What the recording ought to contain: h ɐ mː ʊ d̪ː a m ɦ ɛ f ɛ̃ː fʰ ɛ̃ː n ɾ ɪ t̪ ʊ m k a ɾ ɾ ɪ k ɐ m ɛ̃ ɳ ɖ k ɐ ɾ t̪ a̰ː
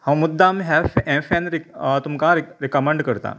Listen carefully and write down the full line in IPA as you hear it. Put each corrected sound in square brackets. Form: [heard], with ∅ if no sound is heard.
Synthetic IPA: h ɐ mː ʊ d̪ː a m ɦ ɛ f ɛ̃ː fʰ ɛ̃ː n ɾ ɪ t̪ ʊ m k a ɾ ɾ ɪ k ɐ m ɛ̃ ɳ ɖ k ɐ ɾ t̪ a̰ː